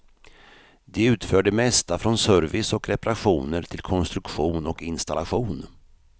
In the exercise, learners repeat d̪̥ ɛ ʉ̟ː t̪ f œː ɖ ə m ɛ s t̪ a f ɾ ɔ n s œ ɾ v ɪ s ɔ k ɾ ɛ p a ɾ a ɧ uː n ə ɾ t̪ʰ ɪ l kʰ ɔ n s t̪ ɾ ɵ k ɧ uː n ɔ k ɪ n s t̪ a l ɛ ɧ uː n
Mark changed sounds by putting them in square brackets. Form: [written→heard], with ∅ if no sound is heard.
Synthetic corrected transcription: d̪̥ ɛ ʉ̟ː t̪ f œː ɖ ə m ɛ s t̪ a f ɾ ɔ n s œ ɾ v ɪ s ɔ k ɾ ɛ p a ɾ a ɧ uː n ə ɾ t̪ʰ ɪ l kʰ ɔ n s t̪ ɾ ɵ k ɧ uː n ɔ k ɪ n s t̪ a l [ɛ→a] ɧ uː n